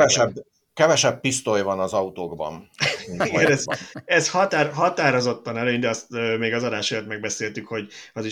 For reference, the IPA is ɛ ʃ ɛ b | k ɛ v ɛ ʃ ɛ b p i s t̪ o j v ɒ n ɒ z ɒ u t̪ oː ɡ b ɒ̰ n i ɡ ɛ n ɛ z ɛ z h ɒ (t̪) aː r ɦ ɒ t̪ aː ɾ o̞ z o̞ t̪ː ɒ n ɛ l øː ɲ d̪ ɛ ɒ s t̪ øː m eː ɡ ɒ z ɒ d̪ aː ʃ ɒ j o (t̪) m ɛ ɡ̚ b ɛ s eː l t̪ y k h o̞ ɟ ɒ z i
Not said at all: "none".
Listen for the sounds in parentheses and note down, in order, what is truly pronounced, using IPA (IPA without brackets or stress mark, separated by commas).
t̪, t̪